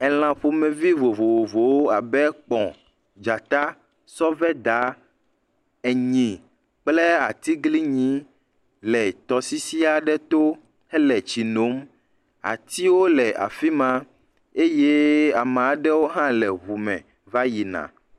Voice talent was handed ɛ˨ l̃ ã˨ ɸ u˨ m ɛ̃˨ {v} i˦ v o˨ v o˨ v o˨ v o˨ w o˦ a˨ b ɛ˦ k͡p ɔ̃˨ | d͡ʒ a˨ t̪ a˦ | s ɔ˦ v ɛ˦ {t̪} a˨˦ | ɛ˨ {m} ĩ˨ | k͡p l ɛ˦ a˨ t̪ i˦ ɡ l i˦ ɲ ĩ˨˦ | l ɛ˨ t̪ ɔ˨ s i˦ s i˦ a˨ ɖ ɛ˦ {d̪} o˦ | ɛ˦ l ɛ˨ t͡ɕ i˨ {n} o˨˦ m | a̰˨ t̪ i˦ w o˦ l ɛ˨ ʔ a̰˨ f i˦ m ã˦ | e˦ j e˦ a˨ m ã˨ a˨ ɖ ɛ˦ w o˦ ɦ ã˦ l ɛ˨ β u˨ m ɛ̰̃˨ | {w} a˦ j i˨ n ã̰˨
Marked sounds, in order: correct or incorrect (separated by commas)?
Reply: correct, incorrect, incorrect, incorrect, correct, incorrect